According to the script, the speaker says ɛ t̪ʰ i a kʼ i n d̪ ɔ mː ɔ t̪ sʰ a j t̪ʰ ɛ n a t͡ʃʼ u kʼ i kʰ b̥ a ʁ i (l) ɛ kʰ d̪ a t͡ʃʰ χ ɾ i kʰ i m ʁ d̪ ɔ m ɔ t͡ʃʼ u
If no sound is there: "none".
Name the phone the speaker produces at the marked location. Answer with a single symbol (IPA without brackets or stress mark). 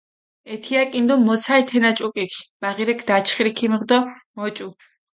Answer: ɾ